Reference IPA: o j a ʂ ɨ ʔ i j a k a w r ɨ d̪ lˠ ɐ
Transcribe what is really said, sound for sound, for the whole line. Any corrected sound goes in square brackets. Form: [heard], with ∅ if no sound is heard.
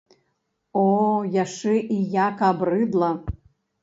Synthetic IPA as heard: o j a ʂ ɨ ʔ i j a k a [b] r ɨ d̪ lˠ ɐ